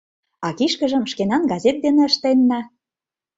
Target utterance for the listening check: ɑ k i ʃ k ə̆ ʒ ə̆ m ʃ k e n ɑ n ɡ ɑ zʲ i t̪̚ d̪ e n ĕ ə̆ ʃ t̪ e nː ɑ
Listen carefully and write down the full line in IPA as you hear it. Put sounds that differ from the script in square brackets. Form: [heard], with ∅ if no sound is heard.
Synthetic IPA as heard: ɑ k i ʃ k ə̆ ʒ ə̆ m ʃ k e n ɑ n ɡ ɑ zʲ [e] t̪̚ d̪ e n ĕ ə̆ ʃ t̪ e nː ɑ